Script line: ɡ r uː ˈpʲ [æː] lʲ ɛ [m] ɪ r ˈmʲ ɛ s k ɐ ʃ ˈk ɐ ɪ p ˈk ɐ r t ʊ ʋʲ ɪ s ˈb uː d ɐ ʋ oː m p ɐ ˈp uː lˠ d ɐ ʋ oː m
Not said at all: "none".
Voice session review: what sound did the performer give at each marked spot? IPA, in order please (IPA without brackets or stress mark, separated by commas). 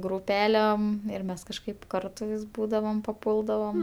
æː, m